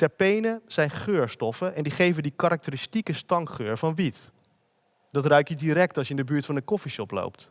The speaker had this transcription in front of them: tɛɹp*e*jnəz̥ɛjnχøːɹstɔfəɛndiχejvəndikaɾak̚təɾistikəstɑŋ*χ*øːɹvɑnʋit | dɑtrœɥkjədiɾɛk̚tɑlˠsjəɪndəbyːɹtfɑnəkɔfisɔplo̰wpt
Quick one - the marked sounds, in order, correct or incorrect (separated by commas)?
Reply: correct, correct